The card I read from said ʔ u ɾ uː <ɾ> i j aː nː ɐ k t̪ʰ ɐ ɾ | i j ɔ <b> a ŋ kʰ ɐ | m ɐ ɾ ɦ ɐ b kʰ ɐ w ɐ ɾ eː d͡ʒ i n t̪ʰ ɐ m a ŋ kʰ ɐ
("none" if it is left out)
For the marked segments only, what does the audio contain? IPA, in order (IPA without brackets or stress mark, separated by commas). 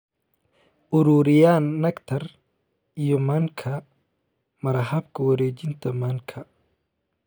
ɾ, m